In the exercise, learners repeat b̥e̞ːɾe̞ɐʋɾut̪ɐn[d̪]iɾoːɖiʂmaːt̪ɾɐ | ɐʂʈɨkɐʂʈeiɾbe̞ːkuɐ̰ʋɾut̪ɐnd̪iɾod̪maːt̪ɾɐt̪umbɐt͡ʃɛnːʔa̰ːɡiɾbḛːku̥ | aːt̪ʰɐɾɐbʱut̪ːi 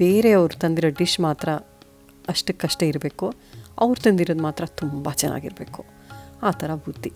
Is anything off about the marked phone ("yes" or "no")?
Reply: no